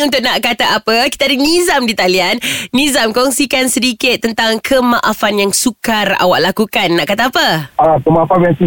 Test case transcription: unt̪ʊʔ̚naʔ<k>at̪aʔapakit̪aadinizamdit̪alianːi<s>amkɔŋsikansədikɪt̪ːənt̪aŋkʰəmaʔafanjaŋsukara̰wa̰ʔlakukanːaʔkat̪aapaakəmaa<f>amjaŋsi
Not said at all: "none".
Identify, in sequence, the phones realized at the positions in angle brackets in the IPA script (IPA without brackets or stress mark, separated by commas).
k, z, f